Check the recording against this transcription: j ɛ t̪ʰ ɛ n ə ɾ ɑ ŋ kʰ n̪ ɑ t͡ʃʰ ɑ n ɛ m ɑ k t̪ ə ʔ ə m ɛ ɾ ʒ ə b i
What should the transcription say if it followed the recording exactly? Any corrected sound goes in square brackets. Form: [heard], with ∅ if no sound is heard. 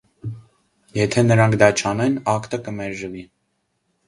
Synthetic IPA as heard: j ɛ t̪ʰ ɛ n ə ɾ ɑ ŋ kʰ [d̪] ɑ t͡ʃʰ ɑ n ɛ [n] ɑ k t̪ ə [k] ə m ɛ ɾ ʒ ə [v] i